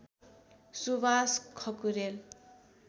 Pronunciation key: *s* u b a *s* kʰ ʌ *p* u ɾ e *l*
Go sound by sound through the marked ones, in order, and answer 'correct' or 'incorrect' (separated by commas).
correct, correct, incorrect, correct